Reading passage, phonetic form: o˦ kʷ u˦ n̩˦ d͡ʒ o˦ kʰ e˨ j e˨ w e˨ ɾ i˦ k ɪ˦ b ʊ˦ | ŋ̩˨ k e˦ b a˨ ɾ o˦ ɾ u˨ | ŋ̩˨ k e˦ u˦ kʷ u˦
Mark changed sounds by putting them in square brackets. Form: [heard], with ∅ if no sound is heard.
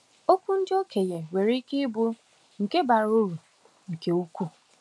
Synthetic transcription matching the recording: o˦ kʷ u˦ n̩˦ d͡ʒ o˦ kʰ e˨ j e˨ w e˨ ɾ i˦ k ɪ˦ b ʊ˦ | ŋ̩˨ k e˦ b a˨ ɾ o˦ ɾ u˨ | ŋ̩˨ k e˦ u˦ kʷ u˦

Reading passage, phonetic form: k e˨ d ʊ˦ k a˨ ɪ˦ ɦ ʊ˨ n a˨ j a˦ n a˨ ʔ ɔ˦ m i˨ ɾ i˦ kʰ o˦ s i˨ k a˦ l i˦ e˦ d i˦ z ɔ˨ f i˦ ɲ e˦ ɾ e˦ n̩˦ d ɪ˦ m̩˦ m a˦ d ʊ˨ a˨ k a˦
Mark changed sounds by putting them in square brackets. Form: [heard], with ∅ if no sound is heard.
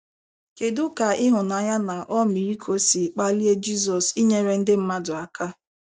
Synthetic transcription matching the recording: k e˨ d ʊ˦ k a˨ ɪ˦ ɦ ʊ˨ n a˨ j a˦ n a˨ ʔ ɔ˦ m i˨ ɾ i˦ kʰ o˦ s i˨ [k͡p] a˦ l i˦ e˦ [d͡ʒ] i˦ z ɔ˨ [s] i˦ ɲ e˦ ɾ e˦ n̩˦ d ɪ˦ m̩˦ m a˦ d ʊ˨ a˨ k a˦

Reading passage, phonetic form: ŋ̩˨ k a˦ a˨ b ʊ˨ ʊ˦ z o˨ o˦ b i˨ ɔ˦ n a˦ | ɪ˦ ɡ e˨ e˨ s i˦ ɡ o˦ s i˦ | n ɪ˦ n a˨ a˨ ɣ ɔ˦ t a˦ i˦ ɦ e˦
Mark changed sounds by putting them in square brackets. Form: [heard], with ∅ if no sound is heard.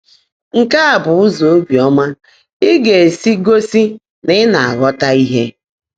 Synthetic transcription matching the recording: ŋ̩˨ k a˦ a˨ b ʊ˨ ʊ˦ z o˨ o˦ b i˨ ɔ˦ [m] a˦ | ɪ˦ ɡ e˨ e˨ s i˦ ɡ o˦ s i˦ | n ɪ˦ n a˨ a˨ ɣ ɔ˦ t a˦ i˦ ɦ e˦

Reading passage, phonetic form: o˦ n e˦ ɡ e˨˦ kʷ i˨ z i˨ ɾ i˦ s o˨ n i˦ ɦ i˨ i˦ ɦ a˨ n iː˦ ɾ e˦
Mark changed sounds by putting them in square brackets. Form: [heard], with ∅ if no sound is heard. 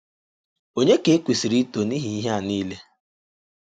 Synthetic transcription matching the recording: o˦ [ɲ] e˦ [k] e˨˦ kʷ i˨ [s] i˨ ɾ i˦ [t] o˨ n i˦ ɦ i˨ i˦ ɦ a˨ n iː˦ [l] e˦

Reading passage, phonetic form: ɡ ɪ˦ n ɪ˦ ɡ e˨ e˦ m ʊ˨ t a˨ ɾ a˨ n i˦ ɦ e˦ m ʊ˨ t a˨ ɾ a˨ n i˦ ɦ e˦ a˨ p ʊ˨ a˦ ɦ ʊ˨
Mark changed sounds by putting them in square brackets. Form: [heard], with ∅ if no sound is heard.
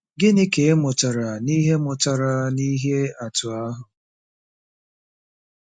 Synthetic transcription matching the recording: ɡ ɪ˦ n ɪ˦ [k] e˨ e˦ m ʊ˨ t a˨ ɾ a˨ n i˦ ɦ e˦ m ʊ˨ t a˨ ɾ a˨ n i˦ ɦ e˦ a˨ [t] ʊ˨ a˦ ɦ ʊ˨

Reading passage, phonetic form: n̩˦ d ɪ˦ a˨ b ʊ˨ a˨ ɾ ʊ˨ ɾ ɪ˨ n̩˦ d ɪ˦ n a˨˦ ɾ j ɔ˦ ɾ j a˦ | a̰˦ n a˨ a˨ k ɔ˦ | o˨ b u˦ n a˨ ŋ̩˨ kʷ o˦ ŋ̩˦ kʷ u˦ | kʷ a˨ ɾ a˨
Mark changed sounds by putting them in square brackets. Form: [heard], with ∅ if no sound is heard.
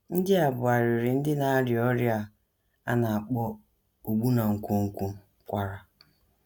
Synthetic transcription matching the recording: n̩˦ d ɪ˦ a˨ b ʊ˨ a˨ ɾ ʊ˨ ɾ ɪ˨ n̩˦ d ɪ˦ n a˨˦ ɾ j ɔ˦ ɾ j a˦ | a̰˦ n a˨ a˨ [k͡p] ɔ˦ | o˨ [ɡ͡b] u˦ n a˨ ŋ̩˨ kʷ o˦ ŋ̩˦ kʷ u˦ | kʷ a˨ ɾ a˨

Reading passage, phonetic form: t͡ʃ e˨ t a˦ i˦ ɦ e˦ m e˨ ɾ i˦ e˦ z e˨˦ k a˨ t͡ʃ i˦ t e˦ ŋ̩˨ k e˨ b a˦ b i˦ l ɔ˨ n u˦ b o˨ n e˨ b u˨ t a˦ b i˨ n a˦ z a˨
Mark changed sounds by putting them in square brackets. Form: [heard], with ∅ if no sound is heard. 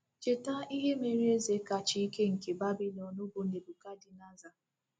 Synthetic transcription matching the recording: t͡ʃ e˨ t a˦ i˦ ɦ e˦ m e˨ ɾ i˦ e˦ z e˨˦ k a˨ t͡ʃ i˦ [k] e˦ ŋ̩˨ k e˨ b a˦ b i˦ l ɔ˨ n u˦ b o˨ n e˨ b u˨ [k] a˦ [d] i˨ n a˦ z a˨

